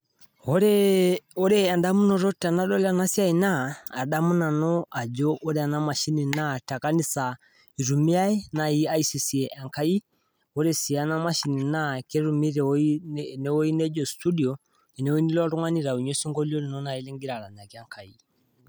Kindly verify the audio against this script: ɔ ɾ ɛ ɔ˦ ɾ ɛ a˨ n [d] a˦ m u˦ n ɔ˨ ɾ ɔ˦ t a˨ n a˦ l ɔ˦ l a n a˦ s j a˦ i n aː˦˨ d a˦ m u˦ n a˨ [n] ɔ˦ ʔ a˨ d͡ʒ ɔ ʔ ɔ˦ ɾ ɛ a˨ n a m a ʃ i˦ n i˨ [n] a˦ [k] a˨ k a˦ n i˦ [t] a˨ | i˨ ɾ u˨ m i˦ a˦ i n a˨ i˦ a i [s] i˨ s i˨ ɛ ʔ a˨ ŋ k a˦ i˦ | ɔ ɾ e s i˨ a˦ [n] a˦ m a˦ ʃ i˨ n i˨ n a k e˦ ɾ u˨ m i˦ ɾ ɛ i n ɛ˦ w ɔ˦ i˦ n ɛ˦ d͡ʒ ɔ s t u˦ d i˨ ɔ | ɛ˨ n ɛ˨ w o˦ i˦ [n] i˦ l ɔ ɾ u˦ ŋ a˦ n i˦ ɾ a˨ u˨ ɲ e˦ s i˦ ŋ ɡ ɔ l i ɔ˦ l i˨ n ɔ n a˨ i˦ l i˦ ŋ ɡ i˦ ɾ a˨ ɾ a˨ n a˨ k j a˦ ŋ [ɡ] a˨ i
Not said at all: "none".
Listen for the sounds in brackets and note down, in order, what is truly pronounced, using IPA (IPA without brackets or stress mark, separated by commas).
d, n, n, t, s, s, n, n, k